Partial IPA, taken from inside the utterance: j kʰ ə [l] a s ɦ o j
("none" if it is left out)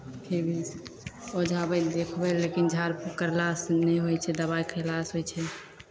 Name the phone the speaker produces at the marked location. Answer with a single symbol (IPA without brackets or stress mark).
l